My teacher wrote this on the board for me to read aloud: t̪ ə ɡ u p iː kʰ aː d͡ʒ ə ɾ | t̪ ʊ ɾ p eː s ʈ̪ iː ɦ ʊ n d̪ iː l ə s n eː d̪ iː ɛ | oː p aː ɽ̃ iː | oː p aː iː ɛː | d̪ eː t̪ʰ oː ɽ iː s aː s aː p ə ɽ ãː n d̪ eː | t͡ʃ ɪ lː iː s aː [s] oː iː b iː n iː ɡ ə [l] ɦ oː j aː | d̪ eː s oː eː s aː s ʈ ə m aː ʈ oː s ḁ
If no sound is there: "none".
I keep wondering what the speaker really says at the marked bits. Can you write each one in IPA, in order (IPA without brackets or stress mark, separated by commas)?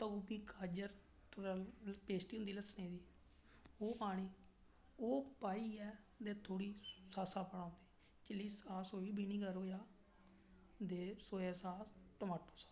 s, ɾ